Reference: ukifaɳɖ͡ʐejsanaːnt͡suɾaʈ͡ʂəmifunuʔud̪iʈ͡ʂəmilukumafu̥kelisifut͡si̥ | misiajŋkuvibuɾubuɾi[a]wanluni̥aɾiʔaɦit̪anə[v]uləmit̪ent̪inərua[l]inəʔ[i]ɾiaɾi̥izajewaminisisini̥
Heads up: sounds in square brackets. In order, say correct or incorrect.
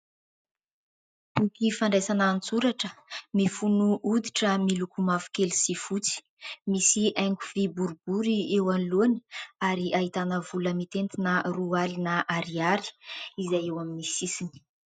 incorrect, correct, correct, incorrect

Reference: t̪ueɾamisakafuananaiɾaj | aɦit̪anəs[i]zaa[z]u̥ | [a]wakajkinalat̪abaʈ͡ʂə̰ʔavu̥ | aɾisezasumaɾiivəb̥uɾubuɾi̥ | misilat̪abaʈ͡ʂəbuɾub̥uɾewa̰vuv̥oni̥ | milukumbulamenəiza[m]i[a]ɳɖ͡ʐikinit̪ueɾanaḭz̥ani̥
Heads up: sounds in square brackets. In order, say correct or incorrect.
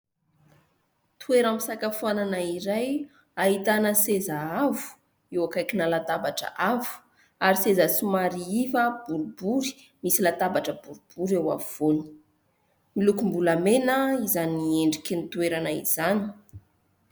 incorrect, incorrect, incorrect, incorrect, incorrect

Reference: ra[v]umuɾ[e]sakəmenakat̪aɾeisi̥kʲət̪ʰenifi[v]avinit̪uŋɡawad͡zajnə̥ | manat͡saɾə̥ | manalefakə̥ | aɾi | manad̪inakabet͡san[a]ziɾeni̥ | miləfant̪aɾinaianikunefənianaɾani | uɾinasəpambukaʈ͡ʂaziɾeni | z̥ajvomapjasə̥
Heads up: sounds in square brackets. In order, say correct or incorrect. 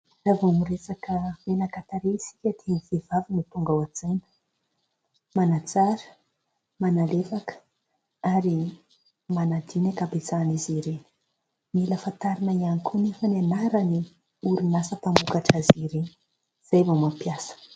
correct, correct, correct, incorrect

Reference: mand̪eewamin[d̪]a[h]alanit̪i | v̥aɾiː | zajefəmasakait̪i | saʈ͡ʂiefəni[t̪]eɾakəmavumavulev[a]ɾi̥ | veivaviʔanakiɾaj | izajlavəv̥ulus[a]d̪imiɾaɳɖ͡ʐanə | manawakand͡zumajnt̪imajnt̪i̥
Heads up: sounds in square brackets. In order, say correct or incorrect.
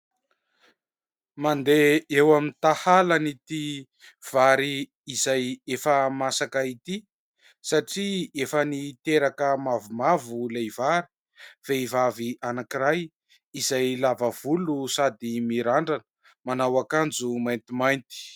incorrect, correct, correct, correct, correct

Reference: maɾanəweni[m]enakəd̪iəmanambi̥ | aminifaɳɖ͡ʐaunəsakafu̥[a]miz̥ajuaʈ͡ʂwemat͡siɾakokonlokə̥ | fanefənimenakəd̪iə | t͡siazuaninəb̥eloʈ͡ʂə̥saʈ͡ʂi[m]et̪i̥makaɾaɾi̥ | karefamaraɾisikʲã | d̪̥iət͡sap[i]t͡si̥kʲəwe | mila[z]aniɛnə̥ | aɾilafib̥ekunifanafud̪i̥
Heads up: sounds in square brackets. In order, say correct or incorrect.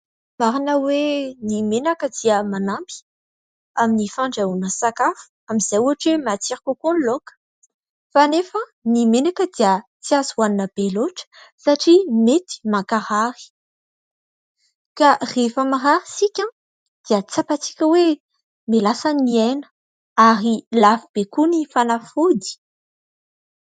correct, correct, correct, incorrect, incorrect

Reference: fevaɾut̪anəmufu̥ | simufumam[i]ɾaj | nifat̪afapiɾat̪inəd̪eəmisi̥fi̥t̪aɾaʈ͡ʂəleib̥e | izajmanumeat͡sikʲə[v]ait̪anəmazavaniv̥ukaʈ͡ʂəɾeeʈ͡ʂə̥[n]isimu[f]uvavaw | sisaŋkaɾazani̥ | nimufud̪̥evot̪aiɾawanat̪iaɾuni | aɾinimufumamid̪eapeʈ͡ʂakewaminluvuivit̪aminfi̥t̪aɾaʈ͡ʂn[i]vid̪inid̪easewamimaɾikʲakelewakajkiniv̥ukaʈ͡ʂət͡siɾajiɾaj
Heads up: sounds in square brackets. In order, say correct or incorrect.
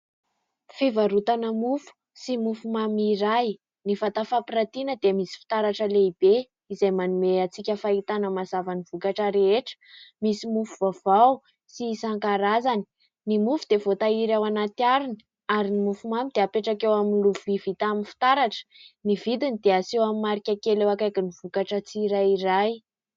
correct, incorrect, incorrect, correct, correct

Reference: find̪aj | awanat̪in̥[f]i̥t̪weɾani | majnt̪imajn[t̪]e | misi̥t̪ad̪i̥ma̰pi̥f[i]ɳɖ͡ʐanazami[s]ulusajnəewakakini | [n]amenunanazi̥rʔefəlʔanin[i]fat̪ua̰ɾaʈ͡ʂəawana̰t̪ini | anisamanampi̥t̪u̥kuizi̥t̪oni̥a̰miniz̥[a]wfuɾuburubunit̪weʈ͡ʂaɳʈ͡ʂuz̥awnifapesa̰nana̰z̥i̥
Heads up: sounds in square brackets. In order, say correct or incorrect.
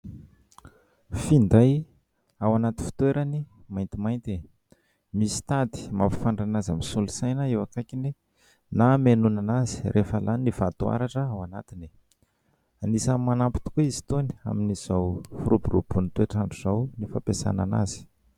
correct, correct, incorrect, correct, correct, correct, correct

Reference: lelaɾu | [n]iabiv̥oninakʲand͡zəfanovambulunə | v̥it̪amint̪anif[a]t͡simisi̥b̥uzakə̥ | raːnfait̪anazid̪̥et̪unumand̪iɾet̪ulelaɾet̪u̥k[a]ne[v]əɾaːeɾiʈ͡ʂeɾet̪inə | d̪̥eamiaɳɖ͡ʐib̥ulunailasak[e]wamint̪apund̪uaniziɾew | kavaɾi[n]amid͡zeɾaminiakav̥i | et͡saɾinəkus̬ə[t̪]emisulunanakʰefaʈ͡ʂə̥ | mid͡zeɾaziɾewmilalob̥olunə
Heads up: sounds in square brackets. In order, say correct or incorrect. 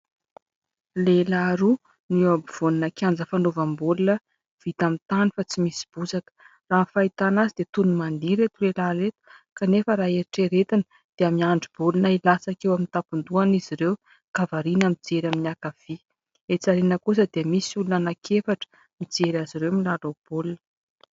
correct, correct, correct, incorrect, correct, correct, incorrect

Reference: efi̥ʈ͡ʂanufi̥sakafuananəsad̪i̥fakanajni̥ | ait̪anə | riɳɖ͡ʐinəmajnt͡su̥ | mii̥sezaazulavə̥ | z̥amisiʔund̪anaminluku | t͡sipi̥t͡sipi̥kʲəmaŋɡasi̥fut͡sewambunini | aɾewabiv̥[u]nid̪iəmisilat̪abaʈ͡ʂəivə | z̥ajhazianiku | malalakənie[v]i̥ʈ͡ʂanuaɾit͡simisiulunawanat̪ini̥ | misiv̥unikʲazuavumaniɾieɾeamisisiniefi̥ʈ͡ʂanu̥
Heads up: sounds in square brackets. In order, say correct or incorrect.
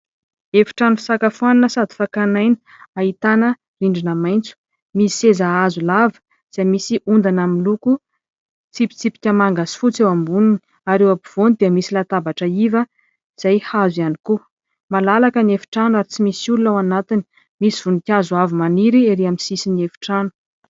incorrect, incorrect

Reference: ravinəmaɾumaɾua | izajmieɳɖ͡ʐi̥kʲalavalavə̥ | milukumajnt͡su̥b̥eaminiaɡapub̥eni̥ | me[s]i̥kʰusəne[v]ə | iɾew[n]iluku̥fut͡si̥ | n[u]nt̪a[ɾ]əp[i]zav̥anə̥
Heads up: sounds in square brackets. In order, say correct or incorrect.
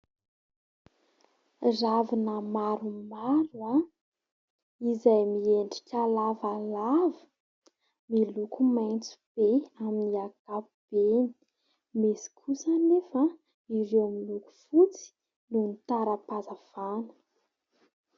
correct, incorrect, incorrect, correct, correct, incorrect

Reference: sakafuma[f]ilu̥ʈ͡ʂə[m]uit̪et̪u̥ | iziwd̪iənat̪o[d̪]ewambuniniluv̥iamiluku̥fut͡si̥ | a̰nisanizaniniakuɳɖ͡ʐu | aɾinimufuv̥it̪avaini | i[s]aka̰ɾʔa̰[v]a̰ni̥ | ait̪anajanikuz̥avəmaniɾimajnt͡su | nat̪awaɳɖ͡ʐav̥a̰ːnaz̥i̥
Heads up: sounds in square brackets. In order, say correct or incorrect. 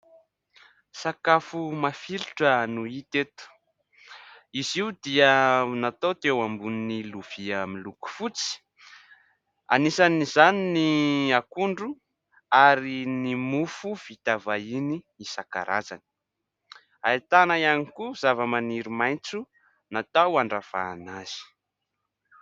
correct, incorrect, incorrect, correct, incorrect

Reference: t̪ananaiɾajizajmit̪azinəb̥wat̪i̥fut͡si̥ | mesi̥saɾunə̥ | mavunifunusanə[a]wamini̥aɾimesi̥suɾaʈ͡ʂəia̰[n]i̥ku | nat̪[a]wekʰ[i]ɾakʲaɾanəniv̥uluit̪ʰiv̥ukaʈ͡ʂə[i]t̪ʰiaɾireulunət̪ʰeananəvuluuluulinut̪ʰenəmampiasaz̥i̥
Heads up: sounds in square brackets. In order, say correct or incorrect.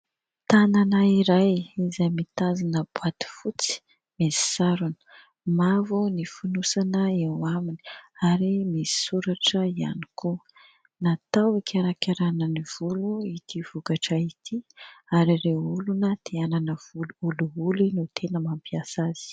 incorrect, correct, correct, incorrect, correct

